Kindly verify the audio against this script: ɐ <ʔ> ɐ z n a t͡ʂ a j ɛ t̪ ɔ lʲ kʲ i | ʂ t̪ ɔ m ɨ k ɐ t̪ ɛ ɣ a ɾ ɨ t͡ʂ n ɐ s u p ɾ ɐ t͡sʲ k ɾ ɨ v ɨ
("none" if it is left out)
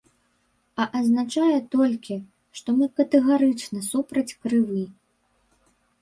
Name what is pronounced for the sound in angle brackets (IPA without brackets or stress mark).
ʔ